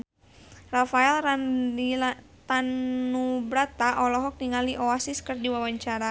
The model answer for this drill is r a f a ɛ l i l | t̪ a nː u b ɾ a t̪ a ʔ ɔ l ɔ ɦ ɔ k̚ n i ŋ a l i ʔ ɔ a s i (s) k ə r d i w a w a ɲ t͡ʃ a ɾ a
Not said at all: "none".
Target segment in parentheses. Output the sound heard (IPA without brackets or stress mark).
s